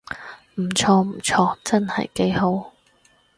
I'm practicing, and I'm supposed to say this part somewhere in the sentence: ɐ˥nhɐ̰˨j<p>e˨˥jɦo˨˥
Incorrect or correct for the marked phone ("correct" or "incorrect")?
incorrect